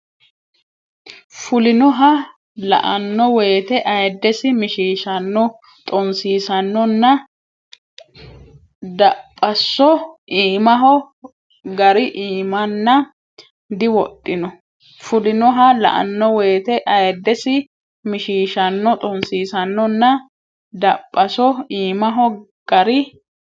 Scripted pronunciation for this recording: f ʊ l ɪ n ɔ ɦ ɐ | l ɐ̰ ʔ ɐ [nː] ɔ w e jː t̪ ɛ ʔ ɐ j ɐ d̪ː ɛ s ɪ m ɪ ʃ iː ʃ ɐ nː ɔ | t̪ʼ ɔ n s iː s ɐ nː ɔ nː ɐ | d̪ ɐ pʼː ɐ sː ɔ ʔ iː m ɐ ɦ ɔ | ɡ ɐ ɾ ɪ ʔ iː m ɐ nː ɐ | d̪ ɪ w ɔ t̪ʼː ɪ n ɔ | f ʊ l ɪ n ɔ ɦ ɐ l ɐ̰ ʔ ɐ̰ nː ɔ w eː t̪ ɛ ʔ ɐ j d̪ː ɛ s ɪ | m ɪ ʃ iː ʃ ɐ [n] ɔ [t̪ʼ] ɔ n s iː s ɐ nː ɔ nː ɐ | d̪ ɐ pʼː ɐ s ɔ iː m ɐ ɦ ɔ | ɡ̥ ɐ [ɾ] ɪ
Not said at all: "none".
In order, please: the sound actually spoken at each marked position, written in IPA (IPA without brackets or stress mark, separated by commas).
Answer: nː, nː, t̪ʼ, ɾ